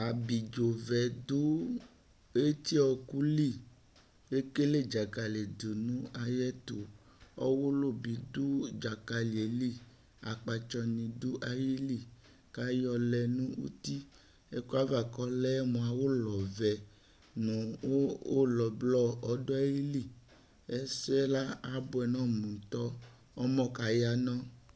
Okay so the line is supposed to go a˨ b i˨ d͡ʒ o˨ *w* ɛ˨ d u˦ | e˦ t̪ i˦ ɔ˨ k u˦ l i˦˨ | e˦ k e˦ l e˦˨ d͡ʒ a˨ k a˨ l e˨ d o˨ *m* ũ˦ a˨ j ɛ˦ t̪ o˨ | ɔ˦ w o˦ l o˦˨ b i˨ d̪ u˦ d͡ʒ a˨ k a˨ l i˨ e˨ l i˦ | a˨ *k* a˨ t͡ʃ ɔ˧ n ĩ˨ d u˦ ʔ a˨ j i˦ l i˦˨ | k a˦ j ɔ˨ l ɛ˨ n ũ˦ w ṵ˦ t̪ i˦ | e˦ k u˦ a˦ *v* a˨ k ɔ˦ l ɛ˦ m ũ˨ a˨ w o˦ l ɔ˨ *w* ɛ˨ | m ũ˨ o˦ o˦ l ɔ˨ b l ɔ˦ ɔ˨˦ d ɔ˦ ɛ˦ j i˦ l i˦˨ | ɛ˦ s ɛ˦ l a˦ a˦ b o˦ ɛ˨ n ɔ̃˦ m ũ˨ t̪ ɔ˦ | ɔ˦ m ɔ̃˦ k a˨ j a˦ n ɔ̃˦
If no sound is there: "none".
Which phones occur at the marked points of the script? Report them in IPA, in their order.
v, n, k͡p, v, v

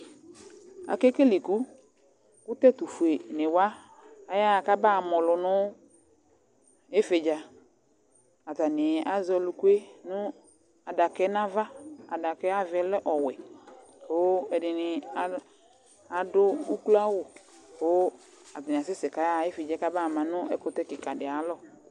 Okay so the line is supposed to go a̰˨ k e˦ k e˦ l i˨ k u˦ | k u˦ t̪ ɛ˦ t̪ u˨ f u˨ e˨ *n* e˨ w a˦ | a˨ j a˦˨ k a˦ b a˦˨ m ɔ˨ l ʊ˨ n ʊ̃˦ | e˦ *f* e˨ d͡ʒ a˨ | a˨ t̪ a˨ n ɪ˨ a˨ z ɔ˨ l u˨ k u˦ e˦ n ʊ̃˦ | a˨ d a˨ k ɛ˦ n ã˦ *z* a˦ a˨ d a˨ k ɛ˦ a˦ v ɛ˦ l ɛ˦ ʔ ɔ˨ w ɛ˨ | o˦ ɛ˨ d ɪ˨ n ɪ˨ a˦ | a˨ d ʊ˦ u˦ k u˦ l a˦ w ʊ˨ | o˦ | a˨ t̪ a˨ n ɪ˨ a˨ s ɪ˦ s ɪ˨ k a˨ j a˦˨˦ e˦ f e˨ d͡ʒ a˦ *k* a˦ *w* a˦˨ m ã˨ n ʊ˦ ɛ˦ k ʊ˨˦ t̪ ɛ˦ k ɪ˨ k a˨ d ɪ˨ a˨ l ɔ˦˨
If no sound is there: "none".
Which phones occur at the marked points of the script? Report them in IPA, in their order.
n, f, v, k, b

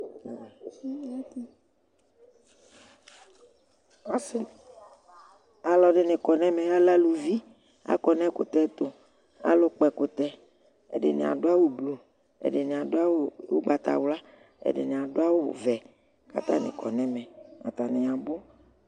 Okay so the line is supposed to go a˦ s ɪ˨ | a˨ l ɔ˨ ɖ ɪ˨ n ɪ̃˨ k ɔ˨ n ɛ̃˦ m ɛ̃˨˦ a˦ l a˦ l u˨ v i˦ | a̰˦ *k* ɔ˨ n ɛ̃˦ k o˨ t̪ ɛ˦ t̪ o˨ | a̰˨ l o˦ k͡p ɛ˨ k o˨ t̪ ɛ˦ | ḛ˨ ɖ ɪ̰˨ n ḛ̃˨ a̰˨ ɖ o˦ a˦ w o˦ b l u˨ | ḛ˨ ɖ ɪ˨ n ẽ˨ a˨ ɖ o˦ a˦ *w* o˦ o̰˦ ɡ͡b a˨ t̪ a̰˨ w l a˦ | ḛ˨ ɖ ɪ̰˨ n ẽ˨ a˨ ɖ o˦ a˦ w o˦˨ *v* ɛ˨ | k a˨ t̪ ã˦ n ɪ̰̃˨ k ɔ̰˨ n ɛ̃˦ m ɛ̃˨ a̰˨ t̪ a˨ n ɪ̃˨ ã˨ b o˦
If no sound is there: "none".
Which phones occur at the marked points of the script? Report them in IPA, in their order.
k, w, v

